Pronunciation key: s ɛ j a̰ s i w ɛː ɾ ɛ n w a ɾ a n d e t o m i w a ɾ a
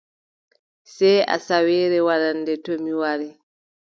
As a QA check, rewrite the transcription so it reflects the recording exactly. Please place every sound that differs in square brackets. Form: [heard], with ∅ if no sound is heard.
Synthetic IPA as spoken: s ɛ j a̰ s [a] w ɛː ɾ ɛ [∅] w a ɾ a n d [ɛ] t o m i w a ɾ [ɛ]